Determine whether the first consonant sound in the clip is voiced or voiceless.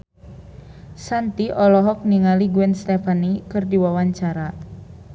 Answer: voiceless